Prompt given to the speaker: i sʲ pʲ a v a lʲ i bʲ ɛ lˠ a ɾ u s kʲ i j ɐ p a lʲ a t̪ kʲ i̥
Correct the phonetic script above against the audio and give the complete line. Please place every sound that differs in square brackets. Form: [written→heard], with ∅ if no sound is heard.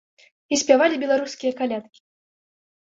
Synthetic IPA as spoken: i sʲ pʲ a v a lʲ i bʲ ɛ lˠ a ɾ u s kʲ i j ɐ [p→k] a lʲ a t̪ kʲ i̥

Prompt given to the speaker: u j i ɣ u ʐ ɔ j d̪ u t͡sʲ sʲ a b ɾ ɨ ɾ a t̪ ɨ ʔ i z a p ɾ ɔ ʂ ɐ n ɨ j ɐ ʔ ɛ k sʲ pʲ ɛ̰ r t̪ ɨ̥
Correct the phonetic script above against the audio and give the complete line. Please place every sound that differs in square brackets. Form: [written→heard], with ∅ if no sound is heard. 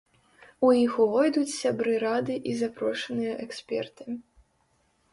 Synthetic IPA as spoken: u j i [ɣ→x] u [ʐ→v] ɔ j d̪ u t͡sʲ sʲ a b ɾ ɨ ɾ a [t̪→d̪] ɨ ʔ i z a p ɾ ɔ ʂ ɐ n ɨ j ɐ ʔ ɛ k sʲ pʲ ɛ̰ r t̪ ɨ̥

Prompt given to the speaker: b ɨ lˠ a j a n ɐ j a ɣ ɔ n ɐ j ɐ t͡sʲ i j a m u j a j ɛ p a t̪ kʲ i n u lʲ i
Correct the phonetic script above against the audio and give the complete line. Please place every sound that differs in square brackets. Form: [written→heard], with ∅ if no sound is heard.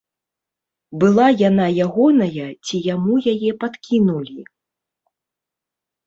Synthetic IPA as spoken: b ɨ lˠ a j a n [ɐ→a] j a ɣ ɔ n ɐ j ɐ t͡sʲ i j a m u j a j ɛ p a t̪ kʲ i n u lʲ i

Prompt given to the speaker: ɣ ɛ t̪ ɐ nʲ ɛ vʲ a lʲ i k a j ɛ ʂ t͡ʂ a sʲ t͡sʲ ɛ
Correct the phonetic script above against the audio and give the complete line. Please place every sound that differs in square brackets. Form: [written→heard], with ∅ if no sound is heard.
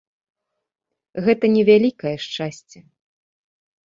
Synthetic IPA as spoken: ɣ ɛ t̪ ɐ nʲ ɛ vʲ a lʲ i k [a→ɐ] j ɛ ʂ t͡ʂ a sʲ t͡sʲ ɛ

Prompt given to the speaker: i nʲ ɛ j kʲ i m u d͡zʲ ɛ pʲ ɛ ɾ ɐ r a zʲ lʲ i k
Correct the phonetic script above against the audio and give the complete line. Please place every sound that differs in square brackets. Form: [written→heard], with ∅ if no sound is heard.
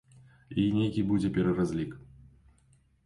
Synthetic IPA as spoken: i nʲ [ɛ→e] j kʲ i [m→b] u d͡zʲ ɛ pʲ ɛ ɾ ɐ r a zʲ lʲ i k

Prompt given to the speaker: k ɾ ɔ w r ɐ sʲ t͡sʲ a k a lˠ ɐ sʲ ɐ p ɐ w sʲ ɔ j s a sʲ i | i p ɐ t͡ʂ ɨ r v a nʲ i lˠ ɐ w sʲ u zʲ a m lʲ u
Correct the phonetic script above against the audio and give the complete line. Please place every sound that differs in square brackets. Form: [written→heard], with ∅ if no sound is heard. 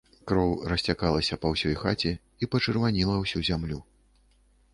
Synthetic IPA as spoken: k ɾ ɔ w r ɐ sʲ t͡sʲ a k a lˠ ɐ sʲ ɐ p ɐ w sʲ ɔ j [s→x] a [sʲ→t͡sʲ] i | i p ɐ t͡ʂ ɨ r v a nʲ i lˠ ɐ w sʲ u zʲ a m lʲ u

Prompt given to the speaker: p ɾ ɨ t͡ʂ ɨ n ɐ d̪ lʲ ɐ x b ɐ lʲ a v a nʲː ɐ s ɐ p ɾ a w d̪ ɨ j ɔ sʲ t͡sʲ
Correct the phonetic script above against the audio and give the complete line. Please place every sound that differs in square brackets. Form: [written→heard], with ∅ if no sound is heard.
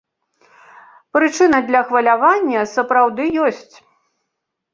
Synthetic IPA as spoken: p ɾ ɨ t͡ʂ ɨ n ɐ d̪ lʲ ɐ x [b→v] ɐ lʲ a v a nʲː ɐ s ɐ p ɾ a w d̪ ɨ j ɔ sʲ t͡sʲ

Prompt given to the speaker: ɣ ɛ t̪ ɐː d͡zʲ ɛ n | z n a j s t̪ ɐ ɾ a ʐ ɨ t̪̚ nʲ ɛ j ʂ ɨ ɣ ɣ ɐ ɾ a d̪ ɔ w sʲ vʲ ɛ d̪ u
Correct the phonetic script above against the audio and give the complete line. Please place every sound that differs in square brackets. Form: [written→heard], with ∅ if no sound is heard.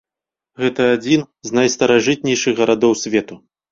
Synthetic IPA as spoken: ɣ ɛ t̪ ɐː d͡zʲ [ɛ→i] n | z n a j s t̪ ɐ ɾ a ʐ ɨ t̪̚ nʲ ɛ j ʂ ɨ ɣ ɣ ɐ ɾ a d̪ ɔ w sʲ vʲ ɛ [d̪→t̪] u

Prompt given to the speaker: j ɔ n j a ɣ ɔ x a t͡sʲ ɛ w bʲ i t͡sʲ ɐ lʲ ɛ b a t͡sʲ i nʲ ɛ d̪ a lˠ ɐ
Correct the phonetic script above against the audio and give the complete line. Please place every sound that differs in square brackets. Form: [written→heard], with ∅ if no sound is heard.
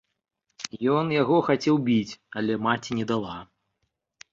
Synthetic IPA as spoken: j ɔ n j a ɣ ɔ x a t͡sʲ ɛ w bʲ i t͡sʲ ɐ lʲ ɛ [b→m] a t͡sʲ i nʲ ɛ d̪ a lˠ [ɐ→a]

